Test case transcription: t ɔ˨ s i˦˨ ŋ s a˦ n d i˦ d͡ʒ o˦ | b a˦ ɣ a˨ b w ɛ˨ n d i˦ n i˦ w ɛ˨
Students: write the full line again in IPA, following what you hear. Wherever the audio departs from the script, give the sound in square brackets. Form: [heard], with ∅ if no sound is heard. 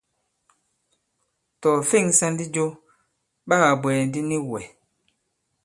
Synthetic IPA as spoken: t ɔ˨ [f] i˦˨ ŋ s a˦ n d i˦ d͡ʒ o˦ | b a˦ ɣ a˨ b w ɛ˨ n d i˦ n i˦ w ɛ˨